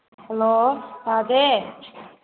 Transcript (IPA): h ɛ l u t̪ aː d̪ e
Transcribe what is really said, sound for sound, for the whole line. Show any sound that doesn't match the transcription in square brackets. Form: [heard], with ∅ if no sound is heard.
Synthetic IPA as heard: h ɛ l [o] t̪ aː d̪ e